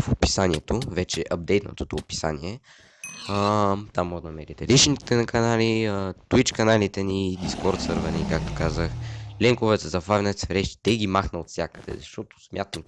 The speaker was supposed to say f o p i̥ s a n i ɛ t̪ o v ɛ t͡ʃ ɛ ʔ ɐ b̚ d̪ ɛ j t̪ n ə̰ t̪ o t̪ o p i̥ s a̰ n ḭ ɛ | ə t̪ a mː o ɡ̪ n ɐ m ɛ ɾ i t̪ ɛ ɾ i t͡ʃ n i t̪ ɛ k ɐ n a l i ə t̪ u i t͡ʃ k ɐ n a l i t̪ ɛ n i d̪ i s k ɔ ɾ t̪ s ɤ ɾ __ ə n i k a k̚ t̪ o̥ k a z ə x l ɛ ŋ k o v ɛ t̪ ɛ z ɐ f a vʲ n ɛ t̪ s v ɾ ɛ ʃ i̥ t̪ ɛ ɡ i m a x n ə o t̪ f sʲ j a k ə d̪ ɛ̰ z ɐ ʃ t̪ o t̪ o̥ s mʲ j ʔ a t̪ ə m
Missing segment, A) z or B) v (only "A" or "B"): B